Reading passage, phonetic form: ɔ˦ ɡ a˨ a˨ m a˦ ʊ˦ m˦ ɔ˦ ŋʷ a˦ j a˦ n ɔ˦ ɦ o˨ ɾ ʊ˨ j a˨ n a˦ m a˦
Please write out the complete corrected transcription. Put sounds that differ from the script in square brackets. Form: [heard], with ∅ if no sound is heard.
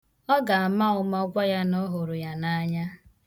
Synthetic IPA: ɔ˦ ɡ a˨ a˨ m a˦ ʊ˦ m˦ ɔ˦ [ɡʷ] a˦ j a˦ n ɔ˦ ɦ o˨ ɾ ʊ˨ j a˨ n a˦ [ɲ] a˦